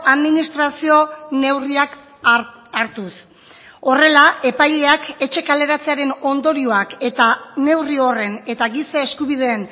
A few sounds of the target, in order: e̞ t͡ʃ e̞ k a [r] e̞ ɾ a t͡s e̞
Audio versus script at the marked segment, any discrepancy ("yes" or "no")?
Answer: yes